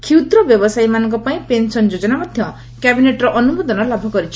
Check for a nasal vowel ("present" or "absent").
present